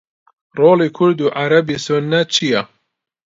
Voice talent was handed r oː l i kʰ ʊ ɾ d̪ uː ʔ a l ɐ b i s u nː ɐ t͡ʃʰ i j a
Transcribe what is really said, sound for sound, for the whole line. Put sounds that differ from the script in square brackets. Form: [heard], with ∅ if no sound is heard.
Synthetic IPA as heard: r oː l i kʰ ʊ ɾ d̪ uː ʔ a [ɾ] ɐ b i s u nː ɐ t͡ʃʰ i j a